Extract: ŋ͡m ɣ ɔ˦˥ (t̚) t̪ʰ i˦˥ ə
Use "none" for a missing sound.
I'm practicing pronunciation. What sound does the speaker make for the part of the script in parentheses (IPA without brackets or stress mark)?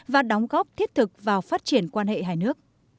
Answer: p̚